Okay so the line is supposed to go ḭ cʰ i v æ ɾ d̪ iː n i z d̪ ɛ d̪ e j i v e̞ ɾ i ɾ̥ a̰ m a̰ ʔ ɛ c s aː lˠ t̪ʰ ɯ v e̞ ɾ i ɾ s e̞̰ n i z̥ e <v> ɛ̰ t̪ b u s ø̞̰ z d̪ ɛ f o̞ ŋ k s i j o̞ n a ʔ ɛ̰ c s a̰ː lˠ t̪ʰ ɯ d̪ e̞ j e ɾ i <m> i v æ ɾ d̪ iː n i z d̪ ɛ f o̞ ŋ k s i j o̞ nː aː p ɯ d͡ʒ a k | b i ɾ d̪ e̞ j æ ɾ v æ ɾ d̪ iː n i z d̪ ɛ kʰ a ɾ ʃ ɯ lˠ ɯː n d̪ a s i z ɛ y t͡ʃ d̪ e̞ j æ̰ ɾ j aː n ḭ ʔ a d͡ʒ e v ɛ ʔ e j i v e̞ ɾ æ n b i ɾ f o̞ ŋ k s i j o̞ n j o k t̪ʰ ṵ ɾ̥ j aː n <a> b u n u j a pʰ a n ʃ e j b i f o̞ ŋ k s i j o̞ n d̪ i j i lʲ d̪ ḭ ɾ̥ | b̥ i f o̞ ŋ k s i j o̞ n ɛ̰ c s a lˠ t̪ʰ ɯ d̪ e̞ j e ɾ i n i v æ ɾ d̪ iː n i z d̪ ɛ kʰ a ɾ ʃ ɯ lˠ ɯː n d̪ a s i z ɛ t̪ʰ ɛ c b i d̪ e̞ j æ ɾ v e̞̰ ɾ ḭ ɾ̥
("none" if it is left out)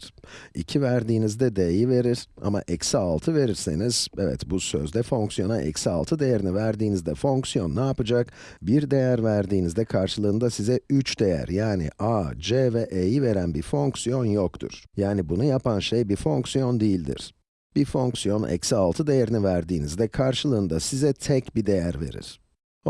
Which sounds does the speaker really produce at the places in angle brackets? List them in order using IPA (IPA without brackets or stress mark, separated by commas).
v, n, i